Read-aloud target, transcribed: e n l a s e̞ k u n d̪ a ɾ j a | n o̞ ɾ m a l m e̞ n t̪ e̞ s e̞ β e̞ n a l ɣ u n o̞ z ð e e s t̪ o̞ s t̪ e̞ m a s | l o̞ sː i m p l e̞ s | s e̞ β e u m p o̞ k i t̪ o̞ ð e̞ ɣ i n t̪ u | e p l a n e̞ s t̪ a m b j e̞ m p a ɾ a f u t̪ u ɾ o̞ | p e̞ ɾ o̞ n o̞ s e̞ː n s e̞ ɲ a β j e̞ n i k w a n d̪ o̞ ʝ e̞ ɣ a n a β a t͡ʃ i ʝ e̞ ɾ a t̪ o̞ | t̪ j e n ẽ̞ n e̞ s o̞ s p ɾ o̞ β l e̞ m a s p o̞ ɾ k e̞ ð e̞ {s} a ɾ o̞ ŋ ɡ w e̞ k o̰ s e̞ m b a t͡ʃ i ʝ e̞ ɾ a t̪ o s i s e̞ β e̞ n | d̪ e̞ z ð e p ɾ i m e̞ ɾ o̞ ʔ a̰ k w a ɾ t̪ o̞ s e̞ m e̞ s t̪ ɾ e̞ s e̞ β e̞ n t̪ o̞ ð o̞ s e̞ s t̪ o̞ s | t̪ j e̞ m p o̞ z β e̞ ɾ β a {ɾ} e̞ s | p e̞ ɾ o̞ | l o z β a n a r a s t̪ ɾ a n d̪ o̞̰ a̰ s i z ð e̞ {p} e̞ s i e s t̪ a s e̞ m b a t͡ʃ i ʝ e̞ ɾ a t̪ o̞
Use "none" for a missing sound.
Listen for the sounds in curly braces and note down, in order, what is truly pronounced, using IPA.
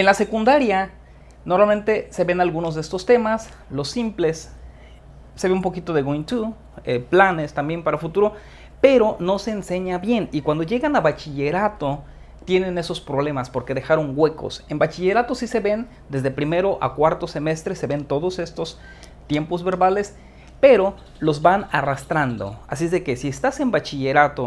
x, l, k

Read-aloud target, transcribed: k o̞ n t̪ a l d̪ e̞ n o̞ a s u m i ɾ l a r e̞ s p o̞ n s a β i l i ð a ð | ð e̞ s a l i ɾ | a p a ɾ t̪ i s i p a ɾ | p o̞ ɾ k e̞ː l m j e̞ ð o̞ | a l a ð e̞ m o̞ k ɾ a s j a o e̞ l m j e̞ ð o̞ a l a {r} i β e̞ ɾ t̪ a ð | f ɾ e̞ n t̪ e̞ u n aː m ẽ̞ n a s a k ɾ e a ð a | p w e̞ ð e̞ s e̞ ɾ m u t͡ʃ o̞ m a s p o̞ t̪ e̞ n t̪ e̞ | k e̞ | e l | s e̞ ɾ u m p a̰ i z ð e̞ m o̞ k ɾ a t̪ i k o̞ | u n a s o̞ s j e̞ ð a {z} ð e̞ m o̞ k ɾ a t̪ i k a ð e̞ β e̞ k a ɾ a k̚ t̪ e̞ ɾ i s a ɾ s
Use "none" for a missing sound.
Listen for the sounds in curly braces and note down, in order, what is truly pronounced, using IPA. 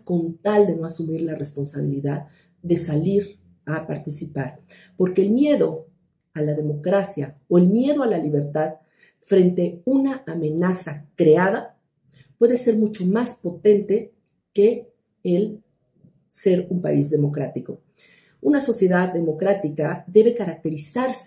l, ð

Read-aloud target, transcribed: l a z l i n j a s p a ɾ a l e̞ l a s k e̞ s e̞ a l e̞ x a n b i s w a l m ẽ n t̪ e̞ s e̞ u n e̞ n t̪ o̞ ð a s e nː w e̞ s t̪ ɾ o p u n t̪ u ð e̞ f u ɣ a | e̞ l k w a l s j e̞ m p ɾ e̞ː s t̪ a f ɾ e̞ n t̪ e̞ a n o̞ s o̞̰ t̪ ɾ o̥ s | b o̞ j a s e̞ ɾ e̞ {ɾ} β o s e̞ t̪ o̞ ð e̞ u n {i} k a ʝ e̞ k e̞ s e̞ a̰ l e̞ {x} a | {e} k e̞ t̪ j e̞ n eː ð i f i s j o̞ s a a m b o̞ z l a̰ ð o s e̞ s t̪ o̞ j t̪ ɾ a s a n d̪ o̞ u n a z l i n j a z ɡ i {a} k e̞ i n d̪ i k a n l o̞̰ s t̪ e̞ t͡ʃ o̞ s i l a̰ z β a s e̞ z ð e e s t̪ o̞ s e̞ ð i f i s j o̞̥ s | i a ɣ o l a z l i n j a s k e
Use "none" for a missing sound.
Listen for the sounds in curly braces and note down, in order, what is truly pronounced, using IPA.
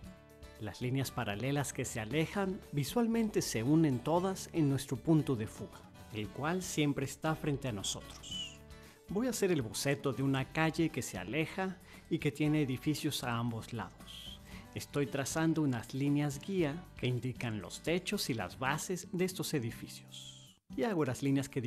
l, a, x, i, a

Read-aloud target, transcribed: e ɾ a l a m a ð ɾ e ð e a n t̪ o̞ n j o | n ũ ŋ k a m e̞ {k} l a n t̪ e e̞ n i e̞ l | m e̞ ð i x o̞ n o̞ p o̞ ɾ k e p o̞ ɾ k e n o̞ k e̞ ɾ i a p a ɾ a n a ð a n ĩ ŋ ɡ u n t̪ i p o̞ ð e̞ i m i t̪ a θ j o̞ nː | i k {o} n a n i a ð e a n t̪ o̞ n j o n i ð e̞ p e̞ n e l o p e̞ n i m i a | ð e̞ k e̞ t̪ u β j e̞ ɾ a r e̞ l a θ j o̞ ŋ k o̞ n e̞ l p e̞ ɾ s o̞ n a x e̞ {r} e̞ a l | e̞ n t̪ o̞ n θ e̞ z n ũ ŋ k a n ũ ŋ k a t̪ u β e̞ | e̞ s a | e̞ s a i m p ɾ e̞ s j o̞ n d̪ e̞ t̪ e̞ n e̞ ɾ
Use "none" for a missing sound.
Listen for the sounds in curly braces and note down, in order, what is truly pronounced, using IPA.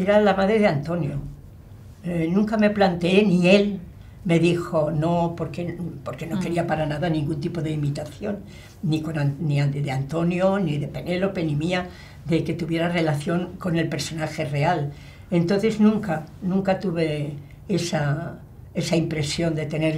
p, o, r

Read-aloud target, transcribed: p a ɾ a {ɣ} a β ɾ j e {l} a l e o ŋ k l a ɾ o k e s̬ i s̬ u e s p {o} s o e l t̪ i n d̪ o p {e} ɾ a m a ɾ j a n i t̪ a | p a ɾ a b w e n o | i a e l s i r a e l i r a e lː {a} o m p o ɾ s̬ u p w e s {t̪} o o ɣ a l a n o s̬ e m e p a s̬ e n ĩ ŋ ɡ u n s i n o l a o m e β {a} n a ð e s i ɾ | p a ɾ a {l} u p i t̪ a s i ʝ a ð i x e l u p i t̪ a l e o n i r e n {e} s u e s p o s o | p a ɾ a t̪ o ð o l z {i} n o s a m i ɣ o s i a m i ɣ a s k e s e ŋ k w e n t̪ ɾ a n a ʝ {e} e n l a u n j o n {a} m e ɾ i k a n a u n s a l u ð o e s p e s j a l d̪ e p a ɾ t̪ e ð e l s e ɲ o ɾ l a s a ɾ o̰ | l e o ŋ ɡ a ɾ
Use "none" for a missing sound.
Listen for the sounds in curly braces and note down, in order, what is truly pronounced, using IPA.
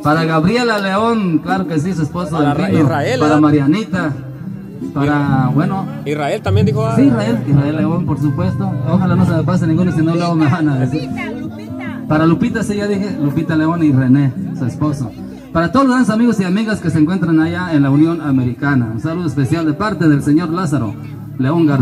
ɣ, l, o, a, e, t̪, a, l, e, a, a, a

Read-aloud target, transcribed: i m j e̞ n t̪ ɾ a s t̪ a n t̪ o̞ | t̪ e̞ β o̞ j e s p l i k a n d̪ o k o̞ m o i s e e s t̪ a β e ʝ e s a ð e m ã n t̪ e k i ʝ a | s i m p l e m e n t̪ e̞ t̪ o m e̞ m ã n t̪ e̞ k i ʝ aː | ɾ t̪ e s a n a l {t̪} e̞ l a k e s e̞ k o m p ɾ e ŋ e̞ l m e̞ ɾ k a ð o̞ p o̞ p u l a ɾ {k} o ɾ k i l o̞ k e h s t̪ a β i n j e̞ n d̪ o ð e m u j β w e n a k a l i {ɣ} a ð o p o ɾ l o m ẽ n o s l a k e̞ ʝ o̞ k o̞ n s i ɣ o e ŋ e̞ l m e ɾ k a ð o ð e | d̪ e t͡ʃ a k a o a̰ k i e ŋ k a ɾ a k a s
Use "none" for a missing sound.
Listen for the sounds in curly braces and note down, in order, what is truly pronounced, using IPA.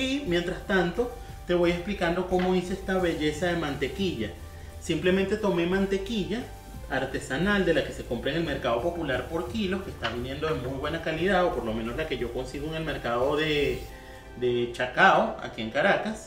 d̪, p, ð

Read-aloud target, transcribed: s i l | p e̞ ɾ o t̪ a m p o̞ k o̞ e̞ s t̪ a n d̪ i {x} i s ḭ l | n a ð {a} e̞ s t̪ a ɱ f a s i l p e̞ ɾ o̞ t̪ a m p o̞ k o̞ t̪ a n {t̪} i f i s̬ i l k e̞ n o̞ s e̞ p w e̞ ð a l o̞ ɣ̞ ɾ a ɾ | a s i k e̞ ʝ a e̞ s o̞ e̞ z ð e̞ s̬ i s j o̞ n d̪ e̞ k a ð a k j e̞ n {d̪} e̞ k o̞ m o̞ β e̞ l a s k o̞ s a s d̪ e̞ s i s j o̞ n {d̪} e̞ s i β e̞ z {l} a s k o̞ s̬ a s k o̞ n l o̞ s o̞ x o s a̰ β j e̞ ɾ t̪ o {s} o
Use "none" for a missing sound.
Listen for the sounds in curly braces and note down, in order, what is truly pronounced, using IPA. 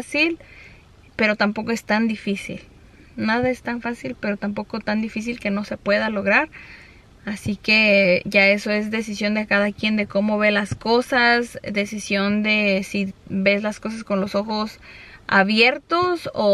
f, a, d̪, d̪, d̪, l, s

